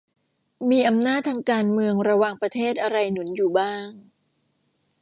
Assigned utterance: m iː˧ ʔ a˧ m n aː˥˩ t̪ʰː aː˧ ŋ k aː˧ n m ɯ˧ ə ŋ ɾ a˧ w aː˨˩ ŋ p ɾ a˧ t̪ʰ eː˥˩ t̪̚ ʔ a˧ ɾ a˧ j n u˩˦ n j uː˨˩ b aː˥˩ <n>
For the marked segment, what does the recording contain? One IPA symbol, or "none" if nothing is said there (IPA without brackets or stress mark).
ŋ